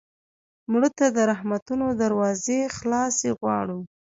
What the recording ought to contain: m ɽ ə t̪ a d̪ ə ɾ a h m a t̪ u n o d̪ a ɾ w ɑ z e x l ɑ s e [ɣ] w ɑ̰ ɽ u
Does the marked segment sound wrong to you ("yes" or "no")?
no